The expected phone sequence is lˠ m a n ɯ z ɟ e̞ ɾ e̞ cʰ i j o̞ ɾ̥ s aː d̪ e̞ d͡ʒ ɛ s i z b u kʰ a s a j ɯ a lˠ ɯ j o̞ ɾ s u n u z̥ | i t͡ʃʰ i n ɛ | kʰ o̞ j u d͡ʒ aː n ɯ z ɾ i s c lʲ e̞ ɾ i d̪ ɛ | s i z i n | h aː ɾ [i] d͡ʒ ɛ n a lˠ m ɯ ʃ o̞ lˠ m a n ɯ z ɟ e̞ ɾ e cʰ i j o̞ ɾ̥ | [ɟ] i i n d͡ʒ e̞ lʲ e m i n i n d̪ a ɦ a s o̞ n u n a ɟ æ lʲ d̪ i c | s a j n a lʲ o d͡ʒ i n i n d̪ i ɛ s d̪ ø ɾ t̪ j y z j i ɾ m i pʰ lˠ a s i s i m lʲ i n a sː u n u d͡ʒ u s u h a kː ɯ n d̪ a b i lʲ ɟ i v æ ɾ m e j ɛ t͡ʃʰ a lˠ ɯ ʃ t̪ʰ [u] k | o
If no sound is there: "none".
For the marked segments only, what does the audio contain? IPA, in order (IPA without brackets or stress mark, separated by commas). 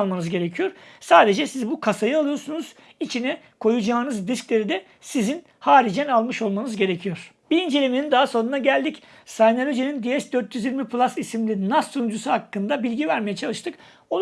i, b, ɯ